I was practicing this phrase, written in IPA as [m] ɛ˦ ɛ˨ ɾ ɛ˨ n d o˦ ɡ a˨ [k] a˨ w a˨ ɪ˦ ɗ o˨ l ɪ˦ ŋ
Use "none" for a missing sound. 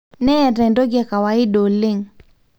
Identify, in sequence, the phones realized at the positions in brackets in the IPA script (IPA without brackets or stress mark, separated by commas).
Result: n, k